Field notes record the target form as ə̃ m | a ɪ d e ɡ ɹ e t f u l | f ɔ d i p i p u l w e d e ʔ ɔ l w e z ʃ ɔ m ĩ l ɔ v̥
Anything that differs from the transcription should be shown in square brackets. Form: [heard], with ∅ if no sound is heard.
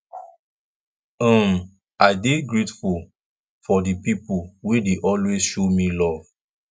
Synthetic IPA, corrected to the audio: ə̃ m | a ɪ d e ɡ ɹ e t f u l | f ɔ d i p i p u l w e d e ʔ ɔ l w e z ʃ [o] m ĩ l ɔ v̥